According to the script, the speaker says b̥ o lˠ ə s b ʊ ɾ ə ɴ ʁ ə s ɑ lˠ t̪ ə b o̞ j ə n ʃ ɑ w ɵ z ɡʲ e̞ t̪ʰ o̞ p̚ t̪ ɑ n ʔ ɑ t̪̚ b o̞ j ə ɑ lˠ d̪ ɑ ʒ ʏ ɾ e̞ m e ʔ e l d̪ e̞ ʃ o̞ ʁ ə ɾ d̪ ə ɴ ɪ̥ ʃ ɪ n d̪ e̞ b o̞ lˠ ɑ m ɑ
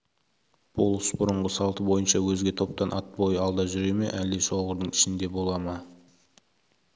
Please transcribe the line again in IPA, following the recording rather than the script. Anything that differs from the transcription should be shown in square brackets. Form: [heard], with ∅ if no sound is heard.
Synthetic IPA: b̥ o lˠ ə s b ʊ ɾ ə ɴ ʁ ə s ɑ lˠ t̪ ə b o̞ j ə n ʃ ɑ w ɵ z ɡʲ e̞ t̪ʰ o̞ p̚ t̪ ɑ n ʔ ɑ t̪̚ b o̞ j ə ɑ lˠ d̪ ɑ ʒ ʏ ɾ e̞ m e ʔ [æ] l d̪ e̞ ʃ o̞ ʁ ə ɾ d̪ ə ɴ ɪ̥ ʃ ɪ n d̪ e̞ b o̞ lˠ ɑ m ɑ